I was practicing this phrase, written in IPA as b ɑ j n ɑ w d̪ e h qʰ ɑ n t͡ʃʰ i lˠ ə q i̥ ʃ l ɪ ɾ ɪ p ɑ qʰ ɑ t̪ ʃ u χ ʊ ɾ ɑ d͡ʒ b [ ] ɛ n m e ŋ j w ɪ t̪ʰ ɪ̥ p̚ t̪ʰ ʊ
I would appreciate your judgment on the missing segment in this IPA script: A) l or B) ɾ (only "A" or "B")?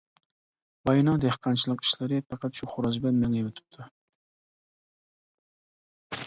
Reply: A